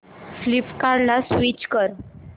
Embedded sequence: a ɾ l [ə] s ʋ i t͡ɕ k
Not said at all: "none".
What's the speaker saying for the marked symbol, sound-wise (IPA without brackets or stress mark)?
a